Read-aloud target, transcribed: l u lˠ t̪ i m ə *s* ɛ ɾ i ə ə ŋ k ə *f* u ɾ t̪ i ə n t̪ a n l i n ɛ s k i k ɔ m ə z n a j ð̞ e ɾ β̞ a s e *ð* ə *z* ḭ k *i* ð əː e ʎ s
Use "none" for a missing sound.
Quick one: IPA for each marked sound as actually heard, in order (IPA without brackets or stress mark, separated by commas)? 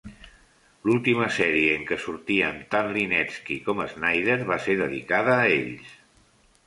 s, s, ð, ð, a